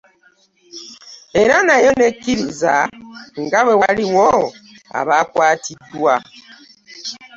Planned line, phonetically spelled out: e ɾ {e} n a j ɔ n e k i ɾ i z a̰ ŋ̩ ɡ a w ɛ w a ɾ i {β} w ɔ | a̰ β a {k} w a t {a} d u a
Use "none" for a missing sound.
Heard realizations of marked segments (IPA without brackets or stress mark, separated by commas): a, none, k, i